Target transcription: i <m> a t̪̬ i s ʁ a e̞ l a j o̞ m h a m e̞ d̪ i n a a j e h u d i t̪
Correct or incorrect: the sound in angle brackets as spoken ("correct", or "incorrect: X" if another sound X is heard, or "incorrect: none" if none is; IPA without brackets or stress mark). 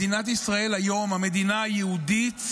incorrect: n